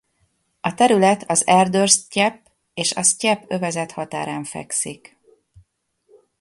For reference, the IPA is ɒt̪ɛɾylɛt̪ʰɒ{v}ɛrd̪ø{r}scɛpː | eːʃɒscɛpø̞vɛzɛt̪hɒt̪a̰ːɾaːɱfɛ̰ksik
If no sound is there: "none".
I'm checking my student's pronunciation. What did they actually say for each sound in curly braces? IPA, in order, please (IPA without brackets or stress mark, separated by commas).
z, r